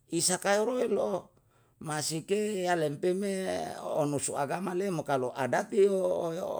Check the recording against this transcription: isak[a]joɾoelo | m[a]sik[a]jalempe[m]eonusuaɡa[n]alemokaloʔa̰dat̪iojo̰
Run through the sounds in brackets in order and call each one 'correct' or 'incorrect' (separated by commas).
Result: correct, correct, incorrect, correct, incorrect